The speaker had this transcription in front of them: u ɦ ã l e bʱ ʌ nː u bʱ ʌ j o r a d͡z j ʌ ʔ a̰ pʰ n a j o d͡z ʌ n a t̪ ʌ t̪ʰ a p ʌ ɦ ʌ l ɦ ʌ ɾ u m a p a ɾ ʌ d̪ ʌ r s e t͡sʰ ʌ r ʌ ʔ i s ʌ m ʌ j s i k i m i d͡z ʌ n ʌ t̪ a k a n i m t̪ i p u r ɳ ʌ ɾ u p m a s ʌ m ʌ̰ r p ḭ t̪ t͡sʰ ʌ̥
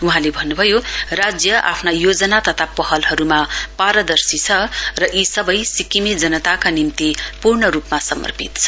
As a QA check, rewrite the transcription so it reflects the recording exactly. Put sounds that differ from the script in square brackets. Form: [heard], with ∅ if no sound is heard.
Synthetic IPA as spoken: u ɦ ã l e bʱ ʌ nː u bʱ ʌ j o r a d͡z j ʌ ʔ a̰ pʰ n a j o d͡z ʌ n a t̪ ʌ t̪ʰ a p ʌ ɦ ʌ l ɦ ʌ ɾ u m a p a ɾ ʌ d̪ ʌ r s [i] t͡sʰ ʌ r ʌ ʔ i s ʌ [b] ʌ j s i k i m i d͡z ʌ n ʌ t̪ a k a n i m t̪ i p u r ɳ ʌ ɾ u p m a s ʌ m ʌ̰ r p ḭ t̪ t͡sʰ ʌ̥

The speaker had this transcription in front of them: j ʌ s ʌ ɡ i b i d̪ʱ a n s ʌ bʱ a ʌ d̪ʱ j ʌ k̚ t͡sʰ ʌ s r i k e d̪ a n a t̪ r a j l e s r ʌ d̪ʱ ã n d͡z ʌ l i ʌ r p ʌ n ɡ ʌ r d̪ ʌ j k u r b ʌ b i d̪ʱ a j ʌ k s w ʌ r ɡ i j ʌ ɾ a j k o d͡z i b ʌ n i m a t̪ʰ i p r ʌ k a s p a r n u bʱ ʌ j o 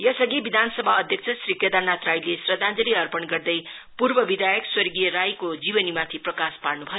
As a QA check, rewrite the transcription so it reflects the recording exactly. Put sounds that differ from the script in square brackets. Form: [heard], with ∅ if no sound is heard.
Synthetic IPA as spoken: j ʌ s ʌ ɡ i b i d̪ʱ a n s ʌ bʱ a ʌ d̪ʱ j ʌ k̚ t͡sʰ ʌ s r i k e d̪ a n a t̪ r a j l e s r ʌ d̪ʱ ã n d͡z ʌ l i ʌ r p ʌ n ɡ ʌ r d̪ ʌ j [p] u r b ʌ b i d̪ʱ a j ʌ k s w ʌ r ɡ i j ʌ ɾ a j k o d͡z i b ʌ n i m a t̪ʰ i p r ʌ k a s p a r n u bʱ ʌ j o

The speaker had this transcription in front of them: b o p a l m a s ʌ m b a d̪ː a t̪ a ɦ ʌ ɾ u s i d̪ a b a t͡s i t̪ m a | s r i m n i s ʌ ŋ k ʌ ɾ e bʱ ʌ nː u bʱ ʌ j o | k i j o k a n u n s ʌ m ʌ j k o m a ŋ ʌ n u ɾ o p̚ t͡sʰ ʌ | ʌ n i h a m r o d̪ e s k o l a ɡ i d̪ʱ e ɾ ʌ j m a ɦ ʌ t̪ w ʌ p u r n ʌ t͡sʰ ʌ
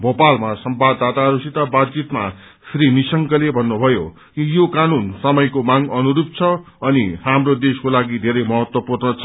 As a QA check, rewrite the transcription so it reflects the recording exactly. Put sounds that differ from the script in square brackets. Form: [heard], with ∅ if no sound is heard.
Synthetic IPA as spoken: b o p a l m a s ʌ m b a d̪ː a t̪ a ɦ ʌ ɾ u s i [t̪] a b a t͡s i t̪ m a | s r i [∅] n i s ʌ ŋ k ʌ [l] e bʱ ʌ nː u bʱ ʌ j o | k i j o k a n u n s ʌ m ʌ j k o m a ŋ ʌ n u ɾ [u] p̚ t͡sʰ ʌ | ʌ n i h a m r o d̪ e s k o l a ɡ i d̪ʱ e ɾ ʌ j m [ʌ] ɦ ʌ t̪ w ʌ p u r n ʌ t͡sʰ ʌ

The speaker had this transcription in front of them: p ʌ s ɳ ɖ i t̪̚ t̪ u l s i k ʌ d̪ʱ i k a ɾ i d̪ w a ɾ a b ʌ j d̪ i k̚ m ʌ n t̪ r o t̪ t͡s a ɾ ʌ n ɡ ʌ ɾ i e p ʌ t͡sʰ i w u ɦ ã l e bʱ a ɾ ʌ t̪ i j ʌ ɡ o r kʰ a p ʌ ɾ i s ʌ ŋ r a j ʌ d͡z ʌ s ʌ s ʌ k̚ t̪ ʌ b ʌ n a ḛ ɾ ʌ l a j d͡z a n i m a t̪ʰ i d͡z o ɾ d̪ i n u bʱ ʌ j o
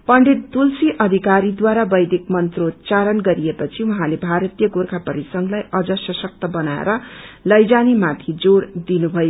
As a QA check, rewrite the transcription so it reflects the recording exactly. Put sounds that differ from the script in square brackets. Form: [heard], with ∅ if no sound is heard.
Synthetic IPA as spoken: p ʌ [∅] ɳ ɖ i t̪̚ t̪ u l s i [ʔ] ʌ d̪ʱ i k a ɾ i d̪ w a ɾ a b ʌ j d̪ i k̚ m ʌ n t̪ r o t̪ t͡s a ɾ ʌ n ɡ ʌ ɾ i e p ʌ t͡sʰ i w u ɦ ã l e bʱ a ɾ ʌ t̪ i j ʌ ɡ o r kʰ a p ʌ ɾ i s ʌ ŋ [l] a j ʌ d͡z ʌ s ʌ s ʌ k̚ t̪ ʌ b ʌ n a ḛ ɾ ʌ l [ʌ] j d͡z a n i m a t̪ʰ i d͡z o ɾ d̪ i n u bʱ ʌ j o

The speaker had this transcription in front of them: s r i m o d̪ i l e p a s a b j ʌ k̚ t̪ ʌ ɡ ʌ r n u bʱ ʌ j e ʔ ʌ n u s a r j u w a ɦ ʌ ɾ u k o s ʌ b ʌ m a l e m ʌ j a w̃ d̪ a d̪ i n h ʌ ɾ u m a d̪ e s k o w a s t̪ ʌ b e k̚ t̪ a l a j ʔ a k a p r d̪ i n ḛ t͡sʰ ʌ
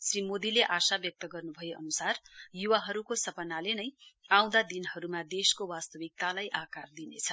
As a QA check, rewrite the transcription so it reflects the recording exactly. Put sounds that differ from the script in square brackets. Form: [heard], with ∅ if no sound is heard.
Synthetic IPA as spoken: s r i m o d̪ i l e [ʔ] a s a b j ʌ k̚ t̪ ʌ ɡ ʌ r n u bʱ ʌ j e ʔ ʌ n u s a r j u w a ɦ ʌ ɾ u k o s ʌ [p] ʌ [n] a l e [n] ʌ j a w̃ d̪ a d̪ i n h ʌ ɾ u m a d̪ e s k o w a s t̪ ʌ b [i] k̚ t̪ a l a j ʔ a k a [∅] r d̪ i n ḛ t͡sʰ ʌ

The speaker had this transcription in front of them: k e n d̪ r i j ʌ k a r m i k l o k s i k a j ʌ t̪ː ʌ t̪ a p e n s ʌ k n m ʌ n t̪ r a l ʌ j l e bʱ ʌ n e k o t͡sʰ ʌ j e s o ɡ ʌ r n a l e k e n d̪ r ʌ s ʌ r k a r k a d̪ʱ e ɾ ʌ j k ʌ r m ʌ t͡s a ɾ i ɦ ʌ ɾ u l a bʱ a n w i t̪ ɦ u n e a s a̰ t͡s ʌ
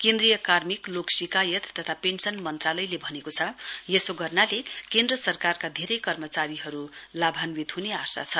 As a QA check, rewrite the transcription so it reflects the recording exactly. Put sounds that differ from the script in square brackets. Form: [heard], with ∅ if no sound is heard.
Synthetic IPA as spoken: k e n d̪ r i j ʌ k a r m i k l o k s i k a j ʌ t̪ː ʌ [t̪ʰ] a p e n s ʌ [∅] n m ʌ n t̪ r a l ʌ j l e bʱ ʌ n e k o t͡sʰ ʌ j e s o ɡ ʌ r n a l e k e n d̪ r ʌ s ʌ r k a r k a d̪ʱ e ɾ ʌ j k ʌ r m ʌ t͡s a ɾ i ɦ ʌ ɾ u l a bʱ a n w i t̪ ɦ u n e a s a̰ [t͡sʰ] ʌ

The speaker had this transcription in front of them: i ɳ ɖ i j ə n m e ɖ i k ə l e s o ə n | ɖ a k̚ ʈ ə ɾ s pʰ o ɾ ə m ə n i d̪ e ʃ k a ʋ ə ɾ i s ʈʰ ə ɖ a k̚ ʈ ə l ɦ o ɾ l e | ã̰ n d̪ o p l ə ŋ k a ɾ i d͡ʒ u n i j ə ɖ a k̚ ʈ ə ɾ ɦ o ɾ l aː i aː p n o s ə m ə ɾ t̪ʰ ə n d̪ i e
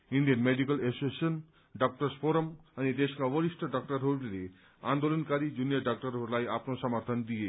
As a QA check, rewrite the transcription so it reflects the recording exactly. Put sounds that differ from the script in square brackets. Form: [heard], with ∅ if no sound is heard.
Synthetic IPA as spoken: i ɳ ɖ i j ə n m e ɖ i k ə l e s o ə n | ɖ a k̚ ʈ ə ɾ s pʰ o ɾ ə m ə n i d̪ e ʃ k a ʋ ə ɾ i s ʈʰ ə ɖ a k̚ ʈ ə [ɾ] ɦ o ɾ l e | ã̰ n d̪ o [∅] l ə [n] k a ɾ i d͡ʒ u n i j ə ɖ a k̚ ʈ ə ɾ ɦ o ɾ l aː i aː p n o s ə m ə ɾ t̪ʰ ə n d̪ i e

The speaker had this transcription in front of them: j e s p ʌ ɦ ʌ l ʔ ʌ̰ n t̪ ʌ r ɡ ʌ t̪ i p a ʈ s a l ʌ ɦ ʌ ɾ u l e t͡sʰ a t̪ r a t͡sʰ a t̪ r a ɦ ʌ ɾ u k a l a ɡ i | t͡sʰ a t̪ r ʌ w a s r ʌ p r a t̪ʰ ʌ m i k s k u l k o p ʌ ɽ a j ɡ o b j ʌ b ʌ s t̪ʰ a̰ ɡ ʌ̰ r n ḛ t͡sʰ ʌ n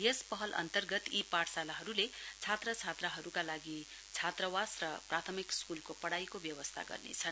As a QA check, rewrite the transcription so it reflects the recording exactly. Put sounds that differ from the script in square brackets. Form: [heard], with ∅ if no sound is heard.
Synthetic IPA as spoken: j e s p ʌ ɦ ʌ l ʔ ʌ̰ n t̪ ʌ r ɡ ʌ t̪ i p a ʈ s a l [a] ɦ ʌ ɾ u l e t͡sʰ a t̪ r [ʌ] t͡sʰ a t̪ r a ɦ ʌ ɾ u k a l a ɡ i | t͡sʰ a t̪ r ʌ w a s r ʌ p r a t̪ʰ ʌ m i k s k u l k o p ʌ ɽ a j [k] o b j ʌ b ʌ s t̪ʰ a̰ ɡ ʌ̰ r n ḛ t͡sʰ ʌ n

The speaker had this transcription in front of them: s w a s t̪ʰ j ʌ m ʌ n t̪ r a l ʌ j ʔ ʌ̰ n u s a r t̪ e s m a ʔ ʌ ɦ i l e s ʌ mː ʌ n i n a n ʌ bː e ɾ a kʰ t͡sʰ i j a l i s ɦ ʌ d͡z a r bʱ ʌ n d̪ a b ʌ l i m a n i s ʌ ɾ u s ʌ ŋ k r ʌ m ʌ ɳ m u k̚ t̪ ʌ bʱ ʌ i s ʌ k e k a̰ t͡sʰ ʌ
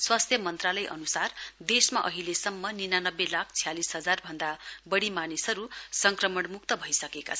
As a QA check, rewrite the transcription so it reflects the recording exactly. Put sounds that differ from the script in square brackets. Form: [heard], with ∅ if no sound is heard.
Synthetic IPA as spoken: s w a s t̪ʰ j ʌ m ʌ n t̪ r a l ʌ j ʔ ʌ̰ n u s a r [d̪] e s m a ʔ ʌ ɦ i l e s ʌ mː ʌ n i n a n ʌ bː e [l] a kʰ t͡sʰ i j a l i s ɦ ʌ d͡z a r bʱ ʌ n d̪ a b ʌ [ɽ] i m a n i s ʌ ɾ u s ʌ ŋ k r ʌ m ʌ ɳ m u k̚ t̪ ʌ bʱ ʌ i s ʌ k e k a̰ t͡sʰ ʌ

